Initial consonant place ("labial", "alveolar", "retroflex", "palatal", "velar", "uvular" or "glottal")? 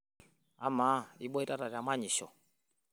labial